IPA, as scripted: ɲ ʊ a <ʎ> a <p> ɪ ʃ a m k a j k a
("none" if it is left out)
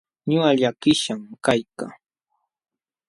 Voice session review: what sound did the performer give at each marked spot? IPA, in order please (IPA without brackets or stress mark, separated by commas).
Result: ʎ, k